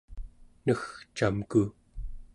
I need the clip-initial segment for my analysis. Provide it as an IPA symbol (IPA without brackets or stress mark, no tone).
n